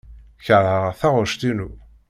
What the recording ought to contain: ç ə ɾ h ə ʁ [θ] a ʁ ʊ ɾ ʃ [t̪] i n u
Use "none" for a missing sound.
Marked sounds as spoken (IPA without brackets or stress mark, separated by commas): θ, t̪